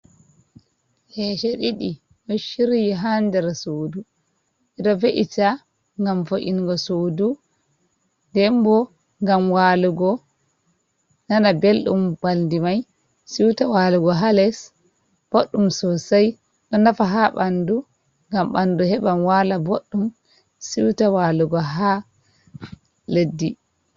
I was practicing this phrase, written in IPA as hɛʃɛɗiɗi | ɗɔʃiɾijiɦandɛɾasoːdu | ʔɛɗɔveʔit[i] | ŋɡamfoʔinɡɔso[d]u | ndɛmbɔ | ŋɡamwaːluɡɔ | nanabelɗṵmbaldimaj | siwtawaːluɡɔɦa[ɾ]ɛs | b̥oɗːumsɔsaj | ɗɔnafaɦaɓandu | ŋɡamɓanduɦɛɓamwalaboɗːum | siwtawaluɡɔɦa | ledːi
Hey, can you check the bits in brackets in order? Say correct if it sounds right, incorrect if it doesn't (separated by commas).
incorrect, correct, incorrect